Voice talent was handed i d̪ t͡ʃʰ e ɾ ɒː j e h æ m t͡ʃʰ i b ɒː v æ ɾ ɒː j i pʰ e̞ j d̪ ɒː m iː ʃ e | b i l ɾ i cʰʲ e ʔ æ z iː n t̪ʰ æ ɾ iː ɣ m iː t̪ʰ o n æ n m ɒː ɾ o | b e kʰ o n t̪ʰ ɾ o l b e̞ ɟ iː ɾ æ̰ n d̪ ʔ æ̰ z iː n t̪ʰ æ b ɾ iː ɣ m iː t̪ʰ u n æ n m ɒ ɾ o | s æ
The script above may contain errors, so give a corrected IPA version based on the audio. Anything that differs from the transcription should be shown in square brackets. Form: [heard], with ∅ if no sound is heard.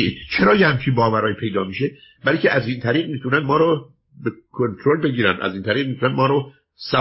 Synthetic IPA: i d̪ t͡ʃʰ e ɾ ɒː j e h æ m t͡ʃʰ i b ɒː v æ ɾ ɒː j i pʰ e̞ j d̪ ɒː m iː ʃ e | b [æ] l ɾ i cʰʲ e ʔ æ z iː n t̪ʰ æ ɾ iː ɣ m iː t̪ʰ [u] n æ n m ɒː ɾ o | b e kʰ o n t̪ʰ ɾ o l b e̞ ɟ iː ɾ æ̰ n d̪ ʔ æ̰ z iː n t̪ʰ æ [∅] ɾ iː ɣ m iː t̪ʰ u n æ n m [ɒː] ɾ o | s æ